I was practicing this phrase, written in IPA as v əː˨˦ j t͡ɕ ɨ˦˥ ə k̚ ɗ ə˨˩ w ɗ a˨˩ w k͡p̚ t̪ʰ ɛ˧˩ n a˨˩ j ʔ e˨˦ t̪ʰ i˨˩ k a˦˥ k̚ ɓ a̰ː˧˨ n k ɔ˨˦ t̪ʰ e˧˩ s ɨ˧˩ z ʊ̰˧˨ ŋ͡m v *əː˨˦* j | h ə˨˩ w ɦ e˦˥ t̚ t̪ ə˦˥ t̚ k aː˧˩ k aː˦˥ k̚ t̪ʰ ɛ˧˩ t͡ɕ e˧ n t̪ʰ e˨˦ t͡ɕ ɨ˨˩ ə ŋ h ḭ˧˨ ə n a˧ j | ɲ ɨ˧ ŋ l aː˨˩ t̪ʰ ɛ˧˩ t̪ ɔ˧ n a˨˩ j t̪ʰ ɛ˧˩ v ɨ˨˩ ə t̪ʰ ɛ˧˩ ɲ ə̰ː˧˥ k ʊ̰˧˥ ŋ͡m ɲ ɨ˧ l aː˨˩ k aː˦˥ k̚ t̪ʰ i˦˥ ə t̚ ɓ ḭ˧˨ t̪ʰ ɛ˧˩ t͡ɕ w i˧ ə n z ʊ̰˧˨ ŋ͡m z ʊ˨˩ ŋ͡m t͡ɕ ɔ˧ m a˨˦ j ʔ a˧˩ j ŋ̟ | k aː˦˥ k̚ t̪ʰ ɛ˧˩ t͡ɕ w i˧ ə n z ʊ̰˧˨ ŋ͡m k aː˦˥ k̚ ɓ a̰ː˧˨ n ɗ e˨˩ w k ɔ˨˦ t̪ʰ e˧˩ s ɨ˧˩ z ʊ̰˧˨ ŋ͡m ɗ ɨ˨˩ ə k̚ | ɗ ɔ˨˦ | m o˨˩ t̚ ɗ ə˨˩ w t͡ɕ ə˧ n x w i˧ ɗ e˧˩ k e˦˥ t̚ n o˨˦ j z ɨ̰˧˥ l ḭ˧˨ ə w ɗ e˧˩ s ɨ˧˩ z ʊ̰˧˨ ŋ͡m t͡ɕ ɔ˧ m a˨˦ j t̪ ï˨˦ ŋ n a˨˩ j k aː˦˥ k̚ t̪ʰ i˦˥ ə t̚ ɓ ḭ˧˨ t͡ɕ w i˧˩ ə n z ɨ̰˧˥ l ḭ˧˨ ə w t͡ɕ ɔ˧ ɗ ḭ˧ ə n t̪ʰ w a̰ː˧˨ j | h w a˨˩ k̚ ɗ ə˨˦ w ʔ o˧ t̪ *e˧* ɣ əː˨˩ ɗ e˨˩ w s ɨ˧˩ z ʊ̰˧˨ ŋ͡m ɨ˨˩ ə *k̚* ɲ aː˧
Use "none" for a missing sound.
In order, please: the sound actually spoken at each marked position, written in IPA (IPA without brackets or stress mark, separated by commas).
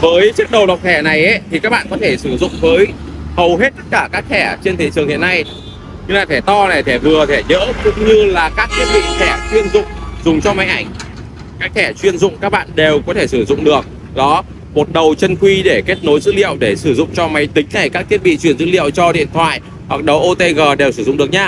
əː˨˦, e˧, k̚